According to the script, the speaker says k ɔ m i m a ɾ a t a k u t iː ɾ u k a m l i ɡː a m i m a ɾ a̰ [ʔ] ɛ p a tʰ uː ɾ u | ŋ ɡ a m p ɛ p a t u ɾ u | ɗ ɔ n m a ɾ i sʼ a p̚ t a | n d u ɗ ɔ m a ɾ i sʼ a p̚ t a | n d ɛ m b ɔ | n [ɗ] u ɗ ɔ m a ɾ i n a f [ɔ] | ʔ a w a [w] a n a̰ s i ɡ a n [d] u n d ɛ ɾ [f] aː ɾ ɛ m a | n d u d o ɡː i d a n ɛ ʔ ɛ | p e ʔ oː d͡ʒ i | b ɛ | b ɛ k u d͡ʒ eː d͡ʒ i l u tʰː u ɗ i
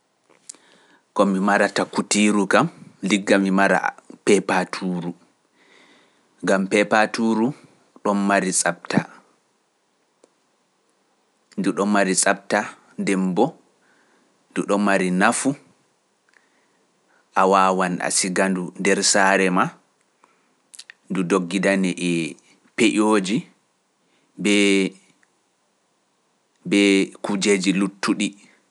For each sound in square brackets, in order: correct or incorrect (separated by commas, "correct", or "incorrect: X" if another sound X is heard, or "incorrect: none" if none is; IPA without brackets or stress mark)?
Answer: incorrect: p, incorrect: d, incorrect: u, correct, correct, incorrect: s